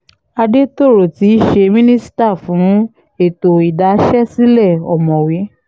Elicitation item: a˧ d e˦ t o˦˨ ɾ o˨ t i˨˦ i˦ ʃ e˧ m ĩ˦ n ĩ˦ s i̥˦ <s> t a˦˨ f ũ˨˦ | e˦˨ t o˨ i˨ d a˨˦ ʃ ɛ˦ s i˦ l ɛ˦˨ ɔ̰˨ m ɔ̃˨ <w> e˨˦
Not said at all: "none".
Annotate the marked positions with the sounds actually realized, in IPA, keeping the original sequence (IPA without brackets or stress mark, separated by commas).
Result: none, w